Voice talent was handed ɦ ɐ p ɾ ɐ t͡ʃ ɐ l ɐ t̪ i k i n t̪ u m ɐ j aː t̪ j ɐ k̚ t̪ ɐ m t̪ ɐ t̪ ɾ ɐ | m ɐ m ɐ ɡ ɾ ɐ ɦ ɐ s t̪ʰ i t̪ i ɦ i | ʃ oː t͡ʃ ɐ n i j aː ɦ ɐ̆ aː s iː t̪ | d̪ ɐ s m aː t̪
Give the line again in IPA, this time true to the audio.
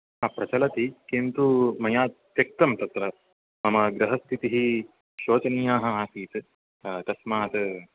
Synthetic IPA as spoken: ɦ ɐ p ɾ ɐ t͡ʃ ɐ l ɐ t̪ i k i n t̪ u m ɐ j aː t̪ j ɐ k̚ t̪ ɐ m t̪ ɐ t̪ ɾ ɐ | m ɐ m ɐ ɡ ɾ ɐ ɦ ɐ s t̪ʰ i t̪ i ɦ i | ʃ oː t͡ʃ ɐ n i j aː ɦ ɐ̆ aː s iː t̪ | t̪ ɐ s m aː t̪

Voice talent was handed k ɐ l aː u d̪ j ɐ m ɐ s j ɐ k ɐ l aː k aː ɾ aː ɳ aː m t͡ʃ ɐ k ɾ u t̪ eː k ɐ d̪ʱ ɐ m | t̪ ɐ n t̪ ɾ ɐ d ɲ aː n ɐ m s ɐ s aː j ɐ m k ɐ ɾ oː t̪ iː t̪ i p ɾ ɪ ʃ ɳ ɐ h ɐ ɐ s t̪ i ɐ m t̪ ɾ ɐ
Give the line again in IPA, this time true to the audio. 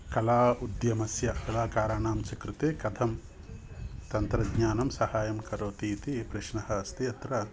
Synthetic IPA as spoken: k ɐ l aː u d̪ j ɐ m ɐ s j ɐ k ɐ l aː k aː ɾ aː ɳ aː m t͡ʃ ɐ k ɾ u t̪ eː k ɐ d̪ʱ ɐ m | t̪ ɐ n t̪ ɾ ɐ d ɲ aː n ɐ m s ɐ h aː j ɐ m k ɐ ɾ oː t̪ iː t̪ i p ɾ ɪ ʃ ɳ ɐ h ɐ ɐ s t̪ i ɐ t̪ ɾ ɐ

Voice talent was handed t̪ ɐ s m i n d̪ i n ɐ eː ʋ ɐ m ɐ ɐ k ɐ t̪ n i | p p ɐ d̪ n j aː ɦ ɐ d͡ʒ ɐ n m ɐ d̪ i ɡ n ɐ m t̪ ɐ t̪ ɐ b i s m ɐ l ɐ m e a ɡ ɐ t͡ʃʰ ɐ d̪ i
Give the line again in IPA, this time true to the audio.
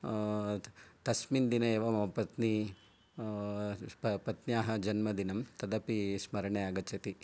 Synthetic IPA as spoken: t̪ ɐ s m i n d̪ i n ɐ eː ʋ ɐ m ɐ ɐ p ɐ t̪ n i | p p ɐ t̪ n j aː ɦ ɐ d͡ʒ ɐ n m ɐ d̪ i n ɐ m t̪ ɐ d̪ ɐ p i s m ɐ ɾ ɐ ɳ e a ɡ ɐ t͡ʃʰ ɐ t̪ i

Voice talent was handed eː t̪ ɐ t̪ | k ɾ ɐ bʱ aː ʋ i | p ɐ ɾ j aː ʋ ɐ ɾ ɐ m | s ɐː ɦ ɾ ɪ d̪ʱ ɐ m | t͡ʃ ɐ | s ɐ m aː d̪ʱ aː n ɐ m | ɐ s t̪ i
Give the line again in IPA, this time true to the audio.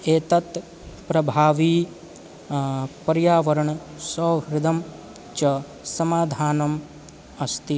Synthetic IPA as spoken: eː t̪ ɐ t̪ | p ɾ ɐ bʱ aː ʋ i | p ɐ ɾ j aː ʋ ɐ ɾ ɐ ɳ | s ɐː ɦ ɾ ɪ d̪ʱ ɐ m | t͡ʃ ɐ | s ɐ m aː d̪ʱ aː n ɐ m | ɐ s t̪ i

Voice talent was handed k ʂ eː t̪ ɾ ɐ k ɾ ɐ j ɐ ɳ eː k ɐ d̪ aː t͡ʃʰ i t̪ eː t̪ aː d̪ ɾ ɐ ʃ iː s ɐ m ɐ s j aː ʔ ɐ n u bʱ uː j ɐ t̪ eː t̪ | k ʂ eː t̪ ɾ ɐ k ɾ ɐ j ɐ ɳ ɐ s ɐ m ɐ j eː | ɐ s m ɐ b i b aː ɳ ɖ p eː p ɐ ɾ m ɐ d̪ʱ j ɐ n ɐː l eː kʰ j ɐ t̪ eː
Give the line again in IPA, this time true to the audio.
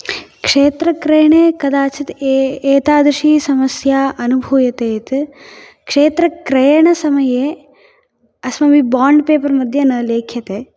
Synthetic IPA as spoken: k ʂ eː t̪ ɾ ɐ k ɾ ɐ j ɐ ɳ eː k ɐ d̪ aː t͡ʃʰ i t̪ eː t̪ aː d̪ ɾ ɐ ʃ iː s ɐ m ɐ s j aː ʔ ɐ n u bʱ uː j ɐ t̪ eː t̪ | k ʂ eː t̪ ɾ ɐ k ɾ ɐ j ɐ ɳ ɐ s ɐ m ɐ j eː | ɐ s m ɐ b i b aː ɳ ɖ p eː p ɐ ɾ m ɐ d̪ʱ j ɐ n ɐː l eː kʰ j ɐ t̪ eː

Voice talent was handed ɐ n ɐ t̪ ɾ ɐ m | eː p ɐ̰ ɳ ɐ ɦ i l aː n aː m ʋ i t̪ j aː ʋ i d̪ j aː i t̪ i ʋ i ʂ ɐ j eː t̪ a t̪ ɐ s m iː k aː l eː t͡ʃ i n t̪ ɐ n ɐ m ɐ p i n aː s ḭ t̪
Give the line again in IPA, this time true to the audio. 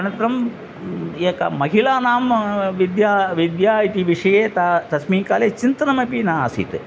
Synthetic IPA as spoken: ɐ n ɐ t̪ ɾ ɐ m | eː k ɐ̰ m ɐ ɦ i l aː n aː m ʋ i d̪ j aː ʋ i d̪ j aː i t̪ i ʋ i ʂ ɐ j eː t̪ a t̪ ɐ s m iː k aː l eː t͡ʃ i n t̪ ɐ n ɐ m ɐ p i n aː s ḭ t̪

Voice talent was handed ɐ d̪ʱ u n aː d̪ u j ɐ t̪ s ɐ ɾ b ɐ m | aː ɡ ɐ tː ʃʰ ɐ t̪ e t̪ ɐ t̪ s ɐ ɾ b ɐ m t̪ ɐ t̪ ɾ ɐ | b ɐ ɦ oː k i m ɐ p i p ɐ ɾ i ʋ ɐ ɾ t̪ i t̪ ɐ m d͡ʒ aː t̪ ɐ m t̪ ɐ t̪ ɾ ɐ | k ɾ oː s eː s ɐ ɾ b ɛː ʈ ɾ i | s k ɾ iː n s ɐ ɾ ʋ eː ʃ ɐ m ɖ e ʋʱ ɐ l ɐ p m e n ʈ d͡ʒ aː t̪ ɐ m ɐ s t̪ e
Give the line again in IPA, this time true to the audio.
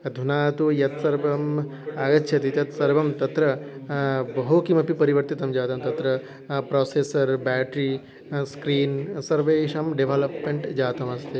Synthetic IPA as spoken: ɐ d̪ʱ u n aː t̪ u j ɐ t̪ s ɐ ɾ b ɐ m | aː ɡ ɐ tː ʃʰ ɐ t̪ i t̪ ɐ t̪ s ɐ ɾ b ɐ m t̪ ɐ t̪ ɾ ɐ | b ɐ ɦ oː k i m ɐ p i p ɐ ɾ i ʋ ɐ ɾ t̪ i t̪ ɐ m d͡ʒ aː t̪ ɐ m t̪ ɐ t̪ ɾ ɐ | p ɾ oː s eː s ɐ ɾ b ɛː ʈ ɾ i | s k ɾ iː n s ɐ ɾ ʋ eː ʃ ɐ m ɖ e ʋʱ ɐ l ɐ p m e ɳ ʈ d͡ʒ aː t̪ ɐ m ɐ s t̪ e

